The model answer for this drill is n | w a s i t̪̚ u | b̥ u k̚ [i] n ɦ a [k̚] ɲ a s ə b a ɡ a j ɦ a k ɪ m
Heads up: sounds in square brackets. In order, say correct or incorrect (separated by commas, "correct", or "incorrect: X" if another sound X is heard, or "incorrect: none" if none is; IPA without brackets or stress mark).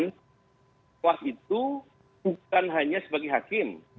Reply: incorrect: a, incorrect: none